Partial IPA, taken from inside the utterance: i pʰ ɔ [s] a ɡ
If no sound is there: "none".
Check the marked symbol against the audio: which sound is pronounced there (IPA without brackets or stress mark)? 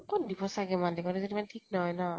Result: s